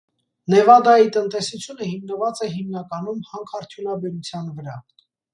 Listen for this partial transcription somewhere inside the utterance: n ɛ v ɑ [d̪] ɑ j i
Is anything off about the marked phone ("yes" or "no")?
no